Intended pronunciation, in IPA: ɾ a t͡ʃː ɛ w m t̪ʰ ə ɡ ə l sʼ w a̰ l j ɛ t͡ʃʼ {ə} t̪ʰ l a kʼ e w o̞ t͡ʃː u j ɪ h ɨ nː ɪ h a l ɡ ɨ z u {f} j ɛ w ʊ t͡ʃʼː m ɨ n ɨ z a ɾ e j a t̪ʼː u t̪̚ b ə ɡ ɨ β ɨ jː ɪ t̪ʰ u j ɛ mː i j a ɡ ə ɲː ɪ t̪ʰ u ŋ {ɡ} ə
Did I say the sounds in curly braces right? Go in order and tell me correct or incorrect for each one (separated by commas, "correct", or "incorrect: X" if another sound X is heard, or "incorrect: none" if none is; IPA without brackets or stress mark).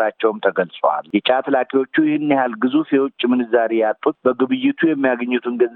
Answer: incorrect: a, correct, correct